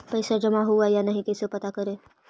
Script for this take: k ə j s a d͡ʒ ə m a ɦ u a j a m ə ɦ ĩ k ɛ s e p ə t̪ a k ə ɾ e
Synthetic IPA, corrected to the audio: p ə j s a d͡ʒ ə m a ɦ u a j a n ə ɦ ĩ k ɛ s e p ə t̪ a k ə ɾ e